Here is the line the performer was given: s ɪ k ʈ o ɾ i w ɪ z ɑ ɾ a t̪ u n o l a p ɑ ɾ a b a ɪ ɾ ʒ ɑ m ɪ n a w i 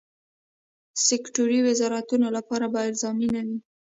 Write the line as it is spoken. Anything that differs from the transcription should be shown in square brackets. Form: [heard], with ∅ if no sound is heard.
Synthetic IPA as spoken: s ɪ k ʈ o ɾ i w ɪ z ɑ ɾ a t̪ u n o l a p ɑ ɾ a b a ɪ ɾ [z] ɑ m [i] n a w i